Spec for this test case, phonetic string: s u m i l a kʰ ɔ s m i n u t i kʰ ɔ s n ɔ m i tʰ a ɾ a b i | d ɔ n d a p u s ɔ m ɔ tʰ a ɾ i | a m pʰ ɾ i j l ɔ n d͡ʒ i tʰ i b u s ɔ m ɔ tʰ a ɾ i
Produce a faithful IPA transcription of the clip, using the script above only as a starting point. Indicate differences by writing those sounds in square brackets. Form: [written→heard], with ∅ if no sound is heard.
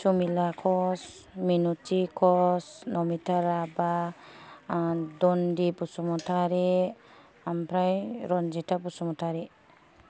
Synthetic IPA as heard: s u m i l a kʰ ɔ s m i n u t i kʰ ɔ s n ɔ m i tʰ a ɾ a b [i→a] | d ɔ n d [a→i] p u s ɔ m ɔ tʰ a ɾ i | a m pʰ ɾ [i→a] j [l→ɾ] ɔ n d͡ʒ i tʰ [i→a] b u s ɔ m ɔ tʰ a ɾ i